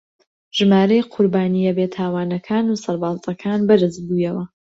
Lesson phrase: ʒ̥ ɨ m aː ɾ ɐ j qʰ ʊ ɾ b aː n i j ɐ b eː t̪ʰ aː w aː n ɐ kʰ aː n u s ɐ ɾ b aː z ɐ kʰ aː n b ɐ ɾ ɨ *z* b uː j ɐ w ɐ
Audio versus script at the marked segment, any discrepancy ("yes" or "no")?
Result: no